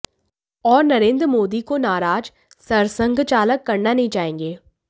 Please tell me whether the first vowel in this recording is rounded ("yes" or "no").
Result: yes